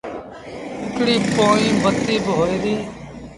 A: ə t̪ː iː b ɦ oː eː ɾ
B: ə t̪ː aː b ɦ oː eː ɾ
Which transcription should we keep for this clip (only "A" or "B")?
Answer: A